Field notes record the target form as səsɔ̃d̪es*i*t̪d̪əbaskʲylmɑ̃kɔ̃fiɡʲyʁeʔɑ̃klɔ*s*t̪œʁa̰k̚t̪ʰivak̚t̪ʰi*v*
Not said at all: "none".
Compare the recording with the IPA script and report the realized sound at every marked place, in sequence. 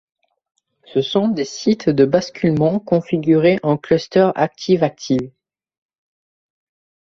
i, s, v

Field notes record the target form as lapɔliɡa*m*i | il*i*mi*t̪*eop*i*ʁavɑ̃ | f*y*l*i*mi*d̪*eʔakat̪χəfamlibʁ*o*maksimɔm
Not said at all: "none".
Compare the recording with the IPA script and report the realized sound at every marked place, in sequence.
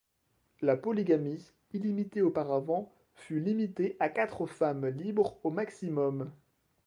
m, i, t̪, a, y, i, t̪, o

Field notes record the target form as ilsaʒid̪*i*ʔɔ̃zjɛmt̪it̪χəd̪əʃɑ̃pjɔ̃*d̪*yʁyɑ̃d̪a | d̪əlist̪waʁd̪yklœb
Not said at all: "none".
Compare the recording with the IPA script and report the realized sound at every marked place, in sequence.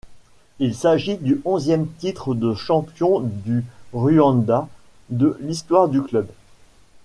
y, d̪

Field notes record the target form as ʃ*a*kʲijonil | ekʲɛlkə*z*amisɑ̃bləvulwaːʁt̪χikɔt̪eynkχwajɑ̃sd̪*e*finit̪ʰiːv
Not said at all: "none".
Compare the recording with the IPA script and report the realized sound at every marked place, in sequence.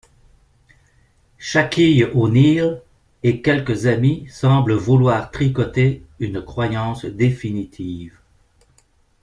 a, z, e

